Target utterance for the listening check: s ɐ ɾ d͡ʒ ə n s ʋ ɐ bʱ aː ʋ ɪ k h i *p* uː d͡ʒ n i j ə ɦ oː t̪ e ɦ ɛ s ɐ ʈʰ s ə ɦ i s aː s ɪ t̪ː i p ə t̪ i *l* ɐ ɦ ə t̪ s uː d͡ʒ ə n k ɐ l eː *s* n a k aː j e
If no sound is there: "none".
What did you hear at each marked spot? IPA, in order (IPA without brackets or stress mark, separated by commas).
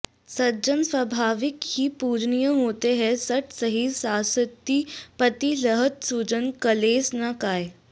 p, l, s